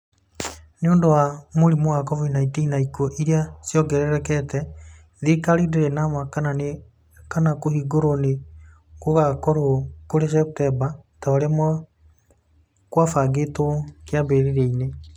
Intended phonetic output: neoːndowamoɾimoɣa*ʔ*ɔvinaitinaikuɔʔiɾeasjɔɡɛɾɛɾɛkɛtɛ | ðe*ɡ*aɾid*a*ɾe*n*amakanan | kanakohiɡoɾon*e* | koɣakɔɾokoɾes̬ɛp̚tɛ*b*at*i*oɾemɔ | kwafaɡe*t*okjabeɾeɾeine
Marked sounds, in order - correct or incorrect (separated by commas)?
incorrect, incorrect, incorrect, correct, correct, correct, incorrect, correct